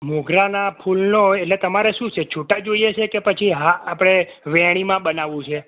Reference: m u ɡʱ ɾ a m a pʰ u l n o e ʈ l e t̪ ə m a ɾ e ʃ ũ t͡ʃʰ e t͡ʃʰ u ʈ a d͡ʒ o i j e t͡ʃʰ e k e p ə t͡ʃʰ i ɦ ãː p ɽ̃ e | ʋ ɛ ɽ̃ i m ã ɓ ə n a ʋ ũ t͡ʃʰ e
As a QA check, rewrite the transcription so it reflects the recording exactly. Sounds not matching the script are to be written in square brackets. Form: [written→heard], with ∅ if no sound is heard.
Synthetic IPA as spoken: m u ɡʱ ɾ a [m→n] a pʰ u l n o e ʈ l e t̪ ə m a ɾ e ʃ ũ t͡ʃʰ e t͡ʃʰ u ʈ a d͡ʒ o i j e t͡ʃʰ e k e p ə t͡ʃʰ i ɦ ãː p ɽ̃ e | ʋ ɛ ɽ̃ i m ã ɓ ə n a ʋ ũ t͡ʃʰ e

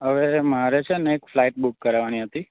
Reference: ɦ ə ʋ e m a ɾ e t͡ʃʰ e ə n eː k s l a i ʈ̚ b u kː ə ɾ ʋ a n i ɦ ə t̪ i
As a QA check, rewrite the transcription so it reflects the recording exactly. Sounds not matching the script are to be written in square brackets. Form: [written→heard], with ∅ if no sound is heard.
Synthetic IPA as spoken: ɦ ə ʋ e m a ɾ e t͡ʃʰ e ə n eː k [s→f] l a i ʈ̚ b u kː ə ɾ ʋ a n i ɦ ə t̪ i

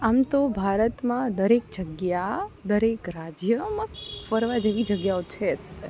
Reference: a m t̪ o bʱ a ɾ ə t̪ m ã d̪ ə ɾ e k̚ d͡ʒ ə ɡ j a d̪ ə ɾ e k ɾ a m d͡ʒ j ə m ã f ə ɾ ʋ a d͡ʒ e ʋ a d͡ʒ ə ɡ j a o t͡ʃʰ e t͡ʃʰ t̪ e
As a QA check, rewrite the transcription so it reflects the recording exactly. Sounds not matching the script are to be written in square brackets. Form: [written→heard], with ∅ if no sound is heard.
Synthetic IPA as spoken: a m t̪ o bʱ a ɾ ə t̪ m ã d̪ ə ɾ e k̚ d͡ʒ ə ɡ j a d̪ ə ɾ e k ɾ a [m→∅] d͡ʒ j ə m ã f ə ɾ ʋ a d͡ʒ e ʋ [a→i] d͡ʒ ə ɡ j a o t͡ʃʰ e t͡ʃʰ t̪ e

